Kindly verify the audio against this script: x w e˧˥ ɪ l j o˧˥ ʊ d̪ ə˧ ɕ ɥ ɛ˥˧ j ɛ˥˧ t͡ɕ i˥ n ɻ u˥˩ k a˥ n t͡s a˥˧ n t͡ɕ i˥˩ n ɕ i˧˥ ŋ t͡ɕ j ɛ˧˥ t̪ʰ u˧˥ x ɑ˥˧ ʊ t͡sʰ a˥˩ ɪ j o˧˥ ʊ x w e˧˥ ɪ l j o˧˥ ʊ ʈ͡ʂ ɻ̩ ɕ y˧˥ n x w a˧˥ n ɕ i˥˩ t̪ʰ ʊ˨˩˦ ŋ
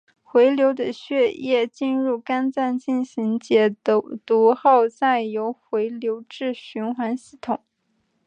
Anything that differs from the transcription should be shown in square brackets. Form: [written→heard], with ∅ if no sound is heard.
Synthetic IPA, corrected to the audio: x w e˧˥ ɪ l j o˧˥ ʊ d̪ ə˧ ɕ ɥ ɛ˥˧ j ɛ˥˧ t͡ɕ [i˥→i˥˧] n ɻ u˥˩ k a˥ n t͡s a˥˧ n t͡ɕ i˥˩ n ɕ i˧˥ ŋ t͡ɕ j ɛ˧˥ [t̪ʰ→t̪] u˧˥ x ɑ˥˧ ʊ [t͡sʰ→t͡s] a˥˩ ɪ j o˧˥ ʊ x w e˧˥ ɪ l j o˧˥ ʊ ʈ͡ʂ ɻ̩ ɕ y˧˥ n x w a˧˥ n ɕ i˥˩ t̪ʰ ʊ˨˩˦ ŋ